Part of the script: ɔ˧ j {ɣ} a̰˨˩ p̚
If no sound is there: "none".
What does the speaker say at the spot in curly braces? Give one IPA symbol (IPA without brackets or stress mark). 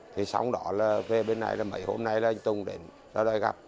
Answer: ɣ